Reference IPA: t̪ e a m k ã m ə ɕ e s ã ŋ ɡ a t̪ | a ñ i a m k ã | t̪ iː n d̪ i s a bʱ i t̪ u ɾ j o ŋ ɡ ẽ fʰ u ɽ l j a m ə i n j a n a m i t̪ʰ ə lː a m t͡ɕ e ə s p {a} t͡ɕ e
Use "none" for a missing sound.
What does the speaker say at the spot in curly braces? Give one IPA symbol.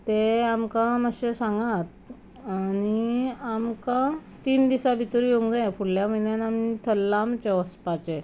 a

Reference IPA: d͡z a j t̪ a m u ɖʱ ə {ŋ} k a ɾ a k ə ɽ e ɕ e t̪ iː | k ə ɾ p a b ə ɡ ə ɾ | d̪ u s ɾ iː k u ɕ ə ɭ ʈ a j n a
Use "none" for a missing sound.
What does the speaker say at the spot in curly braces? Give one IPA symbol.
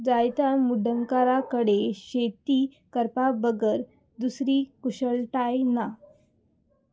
ŋ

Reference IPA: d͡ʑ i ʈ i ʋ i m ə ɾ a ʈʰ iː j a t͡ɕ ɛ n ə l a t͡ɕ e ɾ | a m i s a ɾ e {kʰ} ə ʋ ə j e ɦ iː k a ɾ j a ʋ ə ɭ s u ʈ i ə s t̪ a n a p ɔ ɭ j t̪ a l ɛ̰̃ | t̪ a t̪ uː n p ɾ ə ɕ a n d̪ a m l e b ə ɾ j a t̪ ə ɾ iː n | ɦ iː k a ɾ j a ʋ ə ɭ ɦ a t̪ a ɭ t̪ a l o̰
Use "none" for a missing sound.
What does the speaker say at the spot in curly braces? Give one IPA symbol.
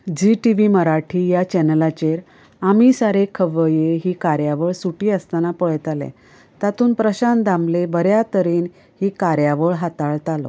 kʰ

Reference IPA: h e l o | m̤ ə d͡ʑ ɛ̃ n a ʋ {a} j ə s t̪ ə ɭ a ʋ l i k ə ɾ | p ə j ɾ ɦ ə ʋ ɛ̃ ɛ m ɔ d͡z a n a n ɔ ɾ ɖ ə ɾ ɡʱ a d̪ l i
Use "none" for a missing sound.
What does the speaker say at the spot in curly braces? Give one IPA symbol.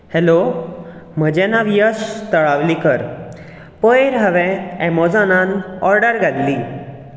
i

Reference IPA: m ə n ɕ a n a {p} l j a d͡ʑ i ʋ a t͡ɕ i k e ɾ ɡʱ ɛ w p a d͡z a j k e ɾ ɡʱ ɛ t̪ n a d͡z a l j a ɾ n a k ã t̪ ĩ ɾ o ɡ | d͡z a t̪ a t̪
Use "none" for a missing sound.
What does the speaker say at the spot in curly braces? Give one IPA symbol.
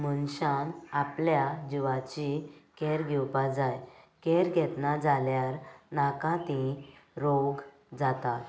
p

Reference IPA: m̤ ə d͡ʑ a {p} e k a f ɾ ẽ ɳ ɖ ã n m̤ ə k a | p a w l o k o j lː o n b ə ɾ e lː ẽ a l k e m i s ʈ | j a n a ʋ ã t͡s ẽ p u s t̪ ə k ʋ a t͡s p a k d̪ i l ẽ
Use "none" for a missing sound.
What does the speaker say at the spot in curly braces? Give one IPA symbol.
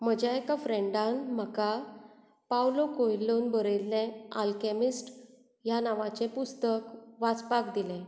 none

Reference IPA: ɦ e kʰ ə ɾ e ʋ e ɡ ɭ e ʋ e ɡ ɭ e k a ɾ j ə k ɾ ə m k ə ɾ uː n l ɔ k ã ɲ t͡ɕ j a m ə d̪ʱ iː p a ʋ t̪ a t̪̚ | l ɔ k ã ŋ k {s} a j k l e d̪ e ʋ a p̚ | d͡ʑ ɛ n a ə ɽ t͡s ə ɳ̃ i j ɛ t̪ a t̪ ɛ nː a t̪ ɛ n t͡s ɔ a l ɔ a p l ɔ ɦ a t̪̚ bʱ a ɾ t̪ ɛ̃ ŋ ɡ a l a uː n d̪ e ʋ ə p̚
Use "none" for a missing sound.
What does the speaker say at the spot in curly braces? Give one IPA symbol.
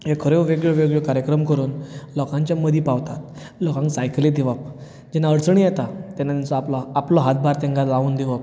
s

